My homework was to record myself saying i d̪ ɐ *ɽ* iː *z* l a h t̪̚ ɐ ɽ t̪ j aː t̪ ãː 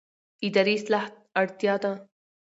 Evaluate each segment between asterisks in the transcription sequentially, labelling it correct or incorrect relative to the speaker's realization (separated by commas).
incorrect, incorrect